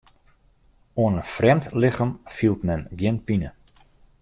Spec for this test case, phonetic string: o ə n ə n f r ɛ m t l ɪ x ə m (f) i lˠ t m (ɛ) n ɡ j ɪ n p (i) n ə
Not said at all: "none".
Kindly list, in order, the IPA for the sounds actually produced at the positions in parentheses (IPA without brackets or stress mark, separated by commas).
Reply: f, ɛ, i